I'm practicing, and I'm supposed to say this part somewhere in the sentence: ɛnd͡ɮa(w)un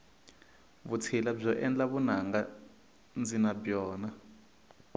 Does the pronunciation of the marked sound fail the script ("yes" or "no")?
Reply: yes